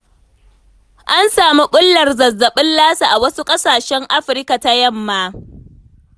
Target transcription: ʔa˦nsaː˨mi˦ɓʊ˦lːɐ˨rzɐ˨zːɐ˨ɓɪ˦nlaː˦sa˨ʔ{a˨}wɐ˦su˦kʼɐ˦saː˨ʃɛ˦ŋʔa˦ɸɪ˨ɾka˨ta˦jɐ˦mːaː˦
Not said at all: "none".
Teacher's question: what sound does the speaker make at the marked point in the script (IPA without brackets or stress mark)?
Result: a˨